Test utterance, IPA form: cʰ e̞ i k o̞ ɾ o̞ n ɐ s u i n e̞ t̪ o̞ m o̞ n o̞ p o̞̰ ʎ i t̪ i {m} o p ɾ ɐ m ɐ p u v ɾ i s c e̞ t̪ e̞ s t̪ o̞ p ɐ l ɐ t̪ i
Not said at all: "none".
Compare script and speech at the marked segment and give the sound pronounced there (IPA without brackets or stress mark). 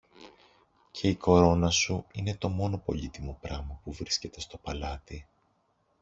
m